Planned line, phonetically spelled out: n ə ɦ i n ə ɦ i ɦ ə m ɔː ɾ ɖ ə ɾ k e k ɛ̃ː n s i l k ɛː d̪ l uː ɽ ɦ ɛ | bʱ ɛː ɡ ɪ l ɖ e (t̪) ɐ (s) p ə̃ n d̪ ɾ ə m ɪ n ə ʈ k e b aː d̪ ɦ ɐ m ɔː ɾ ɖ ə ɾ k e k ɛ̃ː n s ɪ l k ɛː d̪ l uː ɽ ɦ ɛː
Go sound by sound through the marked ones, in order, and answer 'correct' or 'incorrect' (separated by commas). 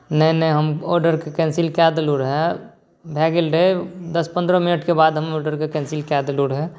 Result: incorrect, correct